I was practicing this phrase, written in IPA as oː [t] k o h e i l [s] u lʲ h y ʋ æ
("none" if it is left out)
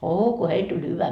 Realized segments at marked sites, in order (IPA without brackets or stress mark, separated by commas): none, t